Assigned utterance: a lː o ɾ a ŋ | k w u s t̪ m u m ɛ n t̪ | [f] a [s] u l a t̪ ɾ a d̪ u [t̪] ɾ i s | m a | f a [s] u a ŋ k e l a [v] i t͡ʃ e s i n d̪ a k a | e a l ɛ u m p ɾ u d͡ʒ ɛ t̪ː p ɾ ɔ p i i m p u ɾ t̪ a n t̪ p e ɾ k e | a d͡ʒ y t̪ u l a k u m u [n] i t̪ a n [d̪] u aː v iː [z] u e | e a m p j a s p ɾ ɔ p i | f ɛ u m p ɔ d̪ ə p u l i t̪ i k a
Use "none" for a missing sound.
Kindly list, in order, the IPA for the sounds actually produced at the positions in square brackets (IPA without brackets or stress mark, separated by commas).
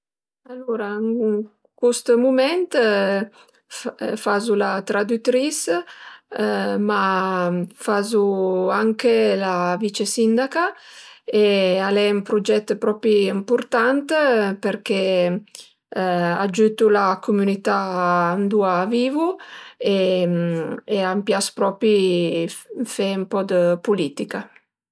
f, z, t̪, z, v, n, d̪, v